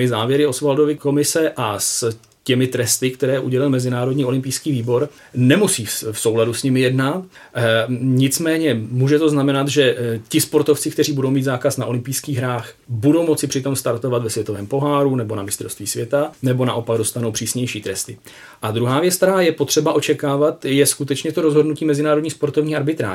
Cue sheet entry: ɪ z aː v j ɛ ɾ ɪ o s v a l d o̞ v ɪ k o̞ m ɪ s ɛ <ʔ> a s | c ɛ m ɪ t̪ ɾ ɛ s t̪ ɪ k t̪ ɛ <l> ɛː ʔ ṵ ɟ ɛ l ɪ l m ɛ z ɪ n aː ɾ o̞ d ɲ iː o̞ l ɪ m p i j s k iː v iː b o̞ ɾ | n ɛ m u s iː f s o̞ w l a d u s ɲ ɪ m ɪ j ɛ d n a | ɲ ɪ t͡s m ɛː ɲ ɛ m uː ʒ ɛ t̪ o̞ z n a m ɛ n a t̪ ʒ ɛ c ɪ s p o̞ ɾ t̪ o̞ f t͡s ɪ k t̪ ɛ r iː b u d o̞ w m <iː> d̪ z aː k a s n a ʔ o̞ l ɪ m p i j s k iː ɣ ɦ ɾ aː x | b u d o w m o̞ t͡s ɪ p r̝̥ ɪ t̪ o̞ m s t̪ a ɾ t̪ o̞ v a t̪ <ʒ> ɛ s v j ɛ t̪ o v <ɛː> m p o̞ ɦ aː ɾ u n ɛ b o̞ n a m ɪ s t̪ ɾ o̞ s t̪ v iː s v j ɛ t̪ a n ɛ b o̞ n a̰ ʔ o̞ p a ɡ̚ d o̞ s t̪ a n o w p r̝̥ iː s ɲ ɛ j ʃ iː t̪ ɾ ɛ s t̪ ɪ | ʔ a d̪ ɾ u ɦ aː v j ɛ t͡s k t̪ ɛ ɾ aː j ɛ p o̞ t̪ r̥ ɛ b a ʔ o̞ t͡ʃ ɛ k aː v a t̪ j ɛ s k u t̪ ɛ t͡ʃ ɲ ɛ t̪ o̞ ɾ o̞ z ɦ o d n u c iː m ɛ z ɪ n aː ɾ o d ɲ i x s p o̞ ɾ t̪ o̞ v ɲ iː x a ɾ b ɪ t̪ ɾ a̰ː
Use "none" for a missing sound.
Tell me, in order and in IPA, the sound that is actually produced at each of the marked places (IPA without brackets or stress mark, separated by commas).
ʔ, ɾ, iː, v, ɛː